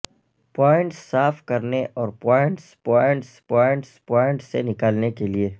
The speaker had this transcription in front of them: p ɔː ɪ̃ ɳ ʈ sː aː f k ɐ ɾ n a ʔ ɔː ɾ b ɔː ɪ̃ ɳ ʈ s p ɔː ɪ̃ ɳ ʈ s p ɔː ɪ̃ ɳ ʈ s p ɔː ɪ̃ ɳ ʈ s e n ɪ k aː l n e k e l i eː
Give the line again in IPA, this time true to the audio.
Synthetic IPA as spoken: p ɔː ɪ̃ ɳ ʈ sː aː f k ɐ ɾ n e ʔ ɔː ɾ p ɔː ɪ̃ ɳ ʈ s p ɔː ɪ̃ ɳ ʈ s p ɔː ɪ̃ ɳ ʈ s p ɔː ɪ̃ ɳ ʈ s e n ɪ k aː l n e k e l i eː